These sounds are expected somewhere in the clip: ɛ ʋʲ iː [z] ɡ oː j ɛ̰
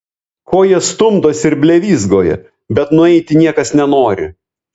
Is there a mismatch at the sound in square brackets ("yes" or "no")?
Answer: no